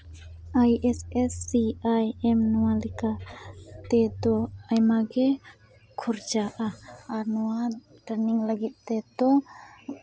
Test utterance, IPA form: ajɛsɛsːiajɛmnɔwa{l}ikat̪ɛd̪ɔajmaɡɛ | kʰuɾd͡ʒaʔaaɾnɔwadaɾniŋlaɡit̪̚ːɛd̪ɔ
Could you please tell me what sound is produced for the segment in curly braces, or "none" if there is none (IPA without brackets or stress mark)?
l